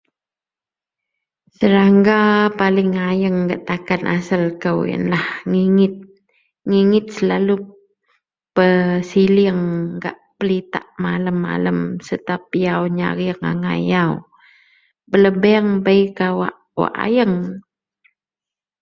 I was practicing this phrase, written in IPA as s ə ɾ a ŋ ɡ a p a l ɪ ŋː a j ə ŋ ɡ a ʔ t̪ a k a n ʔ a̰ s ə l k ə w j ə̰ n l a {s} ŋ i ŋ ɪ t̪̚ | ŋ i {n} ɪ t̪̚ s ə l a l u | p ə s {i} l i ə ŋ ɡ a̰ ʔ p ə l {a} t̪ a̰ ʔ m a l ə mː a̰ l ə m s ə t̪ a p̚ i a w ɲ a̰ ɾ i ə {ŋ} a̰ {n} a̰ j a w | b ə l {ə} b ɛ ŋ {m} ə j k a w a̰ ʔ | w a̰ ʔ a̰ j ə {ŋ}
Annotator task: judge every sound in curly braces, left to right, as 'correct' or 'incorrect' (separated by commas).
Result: incorrect, incorrect, correct, incorrect, correct, incorrect, correct, incorrect, correct